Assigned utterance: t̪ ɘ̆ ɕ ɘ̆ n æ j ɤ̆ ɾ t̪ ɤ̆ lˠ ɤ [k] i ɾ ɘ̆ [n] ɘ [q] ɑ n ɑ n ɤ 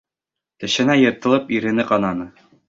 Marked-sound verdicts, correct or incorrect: incorrect: p, correct, correct

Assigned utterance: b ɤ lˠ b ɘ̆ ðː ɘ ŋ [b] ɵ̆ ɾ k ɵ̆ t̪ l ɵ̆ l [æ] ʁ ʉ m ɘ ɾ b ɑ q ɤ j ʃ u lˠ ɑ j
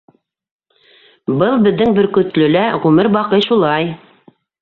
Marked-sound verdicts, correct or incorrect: correct, correct

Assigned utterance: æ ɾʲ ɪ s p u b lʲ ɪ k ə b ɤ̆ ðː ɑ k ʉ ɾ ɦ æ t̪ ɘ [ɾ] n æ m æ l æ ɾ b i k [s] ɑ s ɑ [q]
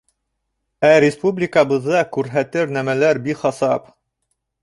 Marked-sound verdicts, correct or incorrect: correct, incorrect: χ, incorrect: p

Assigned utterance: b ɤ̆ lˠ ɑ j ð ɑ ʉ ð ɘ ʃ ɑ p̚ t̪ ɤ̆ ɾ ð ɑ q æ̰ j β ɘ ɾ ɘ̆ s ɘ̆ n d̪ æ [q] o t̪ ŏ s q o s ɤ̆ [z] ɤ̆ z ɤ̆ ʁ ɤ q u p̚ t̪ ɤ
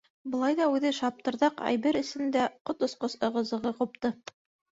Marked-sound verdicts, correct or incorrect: correct, incorrect: ʁ

